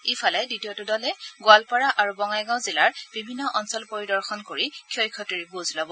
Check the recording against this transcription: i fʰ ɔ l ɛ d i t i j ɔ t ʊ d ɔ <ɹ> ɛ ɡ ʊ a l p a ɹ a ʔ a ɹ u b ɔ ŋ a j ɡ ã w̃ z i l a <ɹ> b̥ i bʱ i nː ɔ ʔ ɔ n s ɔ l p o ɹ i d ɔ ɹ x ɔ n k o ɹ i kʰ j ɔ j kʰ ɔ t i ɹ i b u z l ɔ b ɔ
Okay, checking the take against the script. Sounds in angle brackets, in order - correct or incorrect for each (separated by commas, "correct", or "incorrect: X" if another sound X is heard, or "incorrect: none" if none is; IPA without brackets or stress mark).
incorrect: l, correct